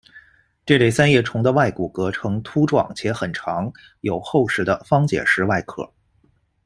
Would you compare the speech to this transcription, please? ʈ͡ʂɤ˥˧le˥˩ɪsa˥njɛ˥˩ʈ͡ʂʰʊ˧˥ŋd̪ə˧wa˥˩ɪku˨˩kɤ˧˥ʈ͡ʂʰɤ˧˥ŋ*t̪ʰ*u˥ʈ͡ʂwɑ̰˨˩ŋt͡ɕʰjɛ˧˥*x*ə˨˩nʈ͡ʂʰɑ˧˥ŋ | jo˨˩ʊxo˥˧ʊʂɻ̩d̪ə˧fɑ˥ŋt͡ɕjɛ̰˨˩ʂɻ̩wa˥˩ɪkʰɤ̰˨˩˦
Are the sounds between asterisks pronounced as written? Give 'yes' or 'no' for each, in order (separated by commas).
yes, yes